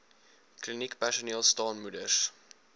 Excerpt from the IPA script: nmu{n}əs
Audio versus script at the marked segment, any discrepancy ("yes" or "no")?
yes